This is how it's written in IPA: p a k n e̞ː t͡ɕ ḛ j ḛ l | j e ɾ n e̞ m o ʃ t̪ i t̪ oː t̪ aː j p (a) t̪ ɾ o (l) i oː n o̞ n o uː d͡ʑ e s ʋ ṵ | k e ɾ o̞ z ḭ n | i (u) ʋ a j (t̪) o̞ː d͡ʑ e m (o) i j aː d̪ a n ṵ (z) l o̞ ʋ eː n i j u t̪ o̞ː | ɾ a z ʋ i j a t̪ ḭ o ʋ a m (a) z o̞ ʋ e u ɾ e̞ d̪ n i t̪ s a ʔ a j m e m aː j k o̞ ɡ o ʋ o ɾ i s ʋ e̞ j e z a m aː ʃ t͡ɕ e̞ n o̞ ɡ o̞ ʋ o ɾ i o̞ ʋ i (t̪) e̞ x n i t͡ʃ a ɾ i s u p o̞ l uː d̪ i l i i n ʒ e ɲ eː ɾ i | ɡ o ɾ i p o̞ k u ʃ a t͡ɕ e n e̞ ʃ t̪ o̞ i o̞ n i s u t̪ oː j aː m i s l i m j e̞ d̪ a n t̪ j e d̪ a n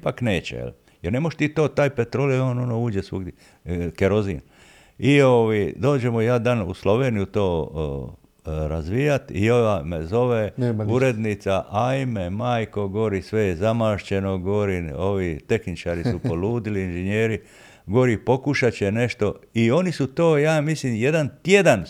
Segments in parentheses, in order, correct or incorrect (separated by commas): incorrect, correct, incorrect, incorrect, correct, incorrect, incorrect, correct